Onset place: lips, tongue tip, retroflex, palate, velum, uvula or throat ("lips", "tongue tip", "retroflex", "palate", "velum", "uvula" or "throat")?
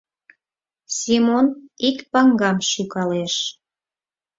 tongue tip